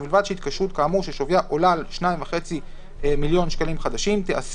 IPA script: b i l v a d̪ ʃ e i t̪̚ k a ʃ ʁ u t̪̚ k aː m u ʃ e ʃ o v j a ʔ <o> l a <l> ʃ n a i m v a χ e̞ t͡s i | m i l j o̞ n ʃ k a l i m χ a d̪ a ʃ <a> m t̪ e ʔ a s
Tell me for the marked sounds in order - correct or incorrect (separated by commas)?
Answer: correct, correct, incorrect